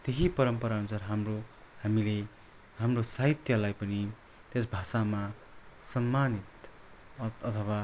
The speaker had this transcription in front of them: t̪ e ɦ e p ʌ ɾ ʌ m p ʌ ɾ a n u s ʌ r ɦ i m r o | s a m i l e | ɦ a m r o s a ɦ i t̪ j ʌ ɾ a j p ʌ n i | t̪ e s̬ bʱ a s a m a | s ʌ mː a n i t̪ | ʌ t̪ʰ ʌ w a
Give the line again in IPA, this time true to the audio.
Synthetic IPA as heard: t̪ e ɦ i p ʌ ɾ ʌ m p ʌ ɾ a n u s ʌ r ɦ a m r o | h a m i l e | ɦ a m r o s a ɦ i t̪ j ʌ l a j p ʌ n i | t̪ e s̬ bʱ a s a m a | s ʌ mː a n i t̪ | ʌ t̪ʰ ʌ w a

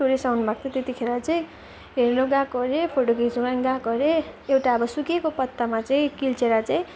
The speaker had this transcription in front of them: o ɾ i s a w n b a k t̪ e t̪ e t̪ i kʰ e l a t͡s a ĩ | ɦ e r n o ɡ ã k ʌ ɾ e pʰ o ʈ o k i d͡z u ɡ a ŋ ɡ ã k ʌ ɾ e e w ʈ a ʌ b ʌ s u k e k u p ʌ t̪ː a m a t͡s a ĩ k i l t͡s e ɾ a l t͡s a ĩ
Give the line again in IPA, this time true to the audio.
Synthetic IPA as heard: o ɾ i s a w n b a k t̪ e t̪ e t̪ i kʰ e ɾ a t͡s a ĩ | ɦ e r n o ɡ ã k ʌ ɾ e pʰ o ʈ o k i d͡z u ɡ a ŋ ɡ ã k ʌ ɾ e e w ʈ a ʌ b ʌ s u k e k o p ʌ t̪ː a m a t͡s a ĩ k i l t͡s e ɾ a t͡s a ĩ

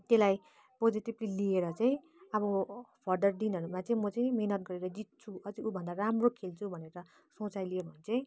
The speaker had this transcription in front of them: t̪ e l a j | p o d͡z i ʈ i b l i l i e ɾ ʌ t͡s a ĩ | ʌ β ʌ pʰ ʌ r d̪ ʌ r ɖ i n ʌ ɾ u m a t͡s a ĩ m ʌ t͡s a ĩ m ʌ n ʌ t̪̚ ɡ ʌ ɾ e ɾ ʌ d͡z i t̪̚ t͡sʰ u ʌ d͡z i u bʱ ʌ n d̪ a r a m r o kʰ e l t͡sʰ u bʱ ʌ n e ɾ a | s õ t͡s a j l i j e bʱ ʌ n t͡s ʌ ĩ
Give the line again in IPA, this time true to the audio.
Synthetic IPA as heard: t̪ e l a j | p o d͡z i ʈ i b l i l i e ɾ ʌ t͡s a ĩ | ʌ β ʌ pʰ ʌ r d̪ ʌ r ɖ i n ʌ ɾ u m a t͡s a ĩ m ʌ t͡s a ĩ m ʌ n ʌ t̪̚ ɡ ʌ ɾ e ɾ ʌ d͡z i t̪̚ t͡sʰ u ʌ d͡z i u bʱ ʌ n d̪ a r a m r o kʰ e l t͡sʰ u bʱ ʌ n e ɾ ʌ | s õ t͡s a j l i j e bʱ ʌ n t͡s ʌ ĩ

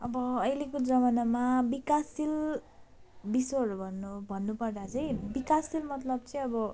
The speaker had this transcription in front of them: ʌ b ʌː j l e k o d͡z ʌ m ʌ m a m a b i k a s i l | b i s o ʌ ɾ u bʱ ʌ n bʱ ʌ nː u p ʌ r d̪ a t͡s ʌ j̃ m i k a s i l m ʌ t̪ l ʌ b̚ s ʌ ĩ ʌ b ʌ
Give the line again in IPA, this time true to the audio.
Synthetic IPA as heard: ʌ b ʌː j l e k o d͡z ʌ m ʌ n a m a b i k a s i l | b i s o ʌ ɾ u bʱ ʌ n bʱ ʌ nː u p ʌ r d̪ a t͡s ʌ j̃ b i k a s i l m ʌ t̪ l ʌ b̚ t͡s ʌ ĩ ʌ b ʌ

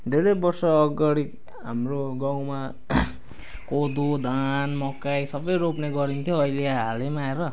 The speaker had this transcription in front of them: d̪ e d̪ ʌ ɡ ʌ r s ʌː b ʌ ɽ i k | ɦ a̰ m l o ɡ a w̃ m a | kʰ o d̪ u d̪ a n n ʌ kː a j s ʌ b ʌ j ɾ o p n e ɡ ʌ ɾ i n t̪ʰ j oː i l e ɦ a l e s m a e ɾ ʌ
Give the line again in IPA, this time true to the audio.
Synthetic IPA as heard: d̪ e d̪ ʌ b ʌ r s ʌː ɡ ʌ ɽ i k | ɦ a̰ m r o ɡ a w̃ m a | k o d̪ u d̪ a n m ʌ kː a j s ʌ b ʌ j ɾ o p n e ɡ ʌ ɾ i n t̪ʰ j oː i l e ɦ a l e m a e ɾ ʌ

